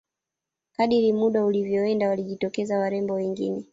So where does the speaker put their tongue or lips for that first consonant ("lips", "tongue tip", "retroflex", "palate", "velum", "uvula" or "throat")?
velum